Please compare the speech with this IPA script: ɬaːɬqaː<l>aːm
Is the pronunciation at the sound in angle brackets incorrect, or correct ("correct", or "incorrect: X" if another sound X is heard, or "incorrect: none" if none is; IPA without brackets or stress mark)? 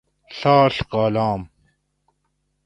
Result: correct